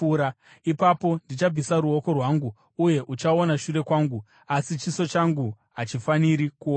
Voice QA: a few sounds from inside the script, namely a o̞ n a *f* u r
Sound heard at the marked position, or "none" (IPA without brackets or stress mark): ʃ